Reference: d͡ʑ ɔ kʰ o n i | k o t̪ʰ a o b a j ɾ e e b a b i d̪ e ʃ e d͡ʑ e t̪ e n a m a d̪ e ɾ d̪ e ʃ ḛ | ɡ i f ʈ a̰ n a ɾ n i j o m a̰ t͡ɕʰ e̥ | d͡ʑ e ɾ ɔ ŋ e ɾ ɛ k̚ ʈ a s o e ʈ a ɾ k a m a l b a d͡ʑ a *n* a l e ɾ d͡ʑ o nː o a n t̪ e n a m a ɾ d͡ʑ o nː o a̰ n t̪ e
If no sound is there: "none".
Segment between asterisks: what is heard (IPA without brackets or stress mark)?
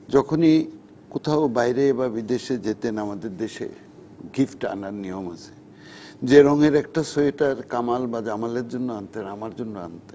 m